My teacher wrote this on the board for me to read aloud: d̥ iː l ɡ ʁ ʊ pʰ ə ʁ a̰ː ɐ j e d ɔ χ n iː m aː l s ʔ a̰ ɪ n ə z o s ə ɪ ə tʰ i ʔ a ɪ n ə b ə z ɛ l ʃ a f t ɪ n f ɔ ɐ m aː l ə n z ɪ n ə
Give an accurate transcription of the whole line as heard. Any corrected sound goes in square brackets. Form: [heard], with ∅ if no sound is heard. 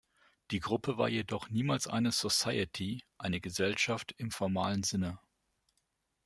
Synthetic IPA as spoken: d̥ iː [∅] ɡ ʁ ʊ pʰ ə [v] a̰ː ɐ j e d ɔ χ n iː m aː l s ʔ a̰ ɪ n ə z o s [a] ɪ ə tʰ i ʔ a ɪ n ə [ɡ] ə z ɛ l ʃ a f t ɪ [m] f ɔ ɐ m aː l ə n z ɪ n ə